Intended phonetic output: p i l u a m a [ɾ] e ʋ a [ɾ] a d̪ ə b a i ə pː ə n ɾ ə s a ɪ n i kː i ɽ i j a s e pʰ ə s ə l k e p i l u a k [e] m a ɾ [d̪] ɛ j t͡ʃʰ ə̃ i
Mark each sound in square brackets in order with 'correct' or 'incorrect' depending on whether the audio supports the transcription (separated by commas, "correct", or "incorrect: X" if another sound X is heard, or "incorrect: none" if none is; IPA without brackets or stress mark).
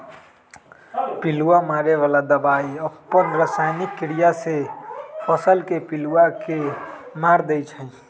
correct, incorrect: l, correct, correct